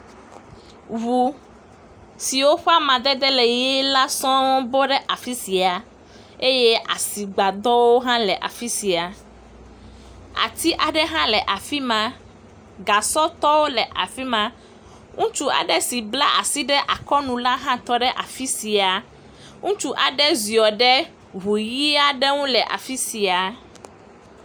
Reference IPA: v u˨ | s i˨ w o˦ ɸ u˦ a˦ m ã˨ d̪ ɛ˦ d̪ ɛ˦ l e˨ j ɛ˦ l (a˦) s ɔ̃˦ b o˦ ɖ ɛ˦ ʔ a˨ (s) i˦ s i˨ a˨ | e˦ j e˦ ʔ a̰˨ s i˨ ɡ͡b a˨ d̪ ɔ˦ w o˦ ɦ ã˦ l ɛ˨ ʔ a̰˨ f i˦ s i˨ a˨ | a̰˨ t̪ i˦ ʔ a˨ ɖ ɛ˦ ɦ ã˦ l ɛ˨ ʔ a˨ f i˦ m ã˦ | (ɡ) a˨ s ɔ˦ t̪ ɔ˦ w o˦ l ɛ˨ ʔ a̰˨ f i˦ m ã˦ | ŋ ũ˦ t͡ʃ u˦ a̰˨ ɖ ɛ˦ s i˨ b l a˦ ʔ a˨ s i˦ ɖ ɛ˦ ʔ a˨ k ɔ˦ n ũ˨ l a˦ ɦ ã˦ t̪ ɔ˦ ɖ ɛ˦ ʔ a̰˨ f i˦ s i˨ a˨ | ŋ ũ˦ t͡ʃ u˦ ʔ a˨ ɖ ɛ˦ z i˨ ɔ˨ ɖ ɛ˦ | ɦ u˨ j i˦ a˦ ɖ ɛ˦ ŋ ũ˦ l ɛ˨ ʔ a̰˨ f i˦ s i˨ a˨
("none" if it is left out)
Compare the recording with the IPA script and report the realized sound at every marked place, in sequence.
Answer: a˦, f, ɡ

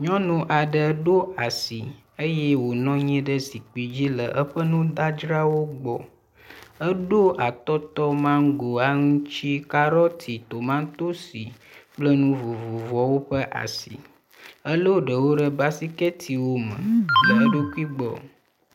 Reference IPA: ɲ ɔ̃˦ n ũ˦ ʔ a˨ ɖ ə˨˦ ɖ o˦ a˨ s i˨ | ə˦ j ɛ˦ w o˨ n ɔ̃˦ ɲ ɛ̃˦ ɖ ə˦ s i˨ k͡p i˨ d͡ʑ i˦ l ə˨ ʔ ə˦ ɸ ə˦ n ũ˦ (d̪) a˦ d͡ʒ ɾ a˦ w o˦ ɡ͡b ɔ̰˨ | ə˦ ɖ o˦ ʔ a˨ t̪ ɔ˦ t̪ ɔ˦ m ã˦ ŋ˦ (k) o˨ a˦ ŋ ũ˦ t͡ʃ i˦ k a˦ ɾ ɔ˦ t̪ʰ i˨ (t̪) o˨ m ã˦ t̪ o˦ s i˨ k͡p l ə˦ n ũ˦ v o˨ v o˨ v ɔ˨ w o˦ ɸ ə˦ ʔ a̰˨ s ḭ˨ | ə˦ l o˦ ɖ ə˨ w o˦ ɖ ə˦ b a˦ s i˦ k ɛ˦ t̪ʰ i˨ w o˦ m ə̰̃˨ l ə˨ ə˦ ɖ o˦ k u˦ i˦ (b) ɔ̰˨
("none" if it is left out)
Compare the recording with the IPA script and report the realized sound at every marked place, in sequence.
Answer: d̪, ɡ, t̪, ɡ͡b

